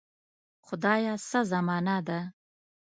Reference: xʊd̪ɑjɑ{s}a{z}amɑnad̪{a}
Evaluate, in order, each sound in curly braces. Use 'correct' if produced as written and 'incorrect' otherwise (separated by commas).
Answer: correct, correct, correct